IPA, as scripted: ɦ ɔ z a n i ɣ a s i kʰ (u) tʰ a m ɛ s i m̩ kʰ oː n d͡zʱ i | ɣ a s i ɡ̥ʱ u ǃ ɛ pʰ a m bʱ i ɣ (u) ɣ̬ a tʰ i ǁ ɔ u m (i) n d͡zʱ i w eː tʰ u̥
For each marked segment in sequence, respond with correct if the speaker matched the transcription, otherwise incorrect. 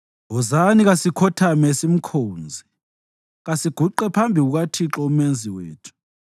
incorrect, correct, incorrect

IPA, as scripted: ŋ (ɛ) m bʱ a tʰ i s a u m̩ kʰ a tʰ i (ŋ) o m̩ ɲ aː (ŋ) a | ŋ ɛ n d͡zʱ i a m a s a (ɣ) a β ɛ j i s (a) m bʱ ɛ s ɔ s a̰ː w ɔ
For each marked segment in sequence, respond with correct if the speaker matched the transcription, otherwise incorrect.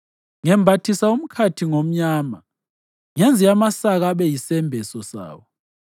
correct, correct, incorrect, correct, incorrect

